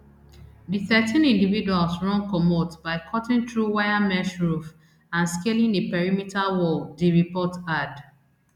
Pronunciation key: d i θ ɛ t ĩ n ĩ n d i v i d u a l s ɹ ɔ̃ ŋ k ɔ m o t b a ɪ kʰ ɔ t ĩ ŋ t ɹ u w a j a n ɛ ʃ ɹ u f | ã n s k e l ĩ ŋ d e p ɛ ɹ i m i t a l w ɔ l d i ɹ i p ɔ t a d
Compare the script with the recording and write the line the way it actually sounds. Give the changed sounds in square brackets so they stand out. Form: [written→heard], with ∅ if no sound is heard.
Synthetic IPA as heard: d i θ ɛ t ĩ n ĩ n d i v i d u a l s ɹ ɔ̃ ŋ k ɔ m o t b a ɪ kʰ ɔ t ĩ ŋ t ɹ u w a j a [n→m] ɛ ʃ ɹ u f | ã n s k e l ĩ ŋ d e p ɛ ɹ i m i t a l w ɔ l d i ɹ i p ɔ t a d